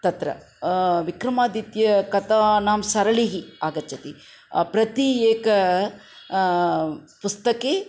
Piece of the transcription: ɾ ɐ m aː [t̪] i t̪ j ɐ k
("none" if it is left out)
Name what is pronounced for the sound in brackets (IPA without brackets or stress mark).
d̪